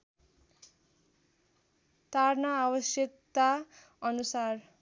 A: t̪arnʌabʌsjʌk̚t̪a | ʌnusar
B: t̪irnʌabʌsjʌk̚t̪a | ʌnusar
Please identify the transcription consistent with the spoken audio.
A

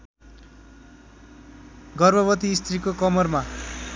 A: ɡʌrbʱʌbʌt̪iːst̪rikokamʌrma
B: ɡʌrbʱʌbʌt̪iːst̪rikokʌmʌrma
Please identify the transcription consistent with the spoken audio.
B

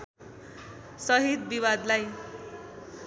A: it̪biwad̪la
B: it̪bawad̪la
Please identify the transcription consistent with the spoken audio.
A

